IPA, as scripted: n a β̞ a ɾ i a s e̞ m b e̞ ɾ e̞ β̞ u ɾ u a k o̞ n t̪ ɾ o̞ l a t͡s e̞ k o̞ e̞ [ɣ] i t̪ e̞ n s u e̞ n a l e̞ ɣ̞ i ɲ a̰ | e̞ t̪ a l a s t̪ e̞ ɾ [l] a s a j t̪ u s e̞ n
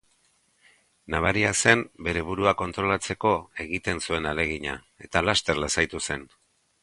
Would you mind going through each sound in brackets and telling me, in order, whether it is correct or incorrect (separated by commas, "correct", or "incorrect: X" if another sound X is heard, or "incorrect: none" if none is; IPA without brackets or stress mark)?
correct, correct